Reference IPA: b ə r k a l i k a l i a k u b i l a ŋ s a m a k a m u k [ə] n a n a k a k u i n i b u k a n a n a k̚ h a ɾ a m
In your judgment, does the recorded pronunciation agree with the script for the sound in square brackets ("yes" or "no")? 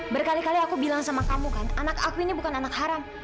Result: no